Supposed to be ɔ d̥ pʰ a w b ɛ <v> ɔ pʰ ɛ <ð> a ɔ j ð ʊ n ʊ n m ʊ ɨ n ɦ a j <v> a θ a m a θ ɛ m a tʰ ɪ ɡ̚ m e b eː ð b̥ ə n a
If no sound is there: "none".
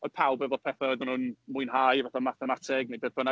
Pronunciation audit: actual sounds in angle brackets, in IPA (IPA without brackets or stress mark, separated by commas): v, θ, v